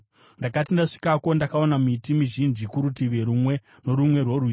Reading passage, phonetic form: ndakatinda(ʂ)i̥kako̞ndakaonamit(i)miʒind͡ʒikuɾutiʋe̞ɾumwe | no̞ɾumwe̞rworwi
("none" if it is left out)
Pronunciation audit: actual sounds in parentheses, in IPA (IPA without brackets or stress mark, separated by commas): ʂ, i